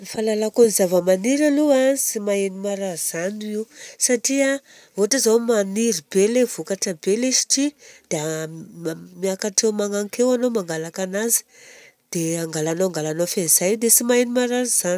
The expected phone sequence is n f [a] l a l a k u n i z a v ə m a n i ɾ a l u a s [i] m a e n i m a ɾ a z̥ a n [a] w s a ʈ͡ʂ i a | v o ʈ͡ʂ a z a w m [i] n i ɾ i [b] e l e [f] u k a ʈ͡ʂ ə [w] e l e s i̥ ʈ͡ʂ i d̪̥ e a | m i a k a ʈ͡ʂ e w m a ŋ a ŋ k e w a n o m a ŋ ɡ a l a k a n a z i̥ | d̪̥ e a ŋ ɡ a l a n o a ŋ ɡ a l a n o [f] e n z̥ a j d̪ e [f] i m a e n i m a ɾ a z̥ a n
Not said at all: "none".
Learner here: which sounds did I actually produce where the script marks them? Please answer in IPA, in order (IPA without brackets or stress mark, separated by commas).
a, i, i, a, b, v, b, f, s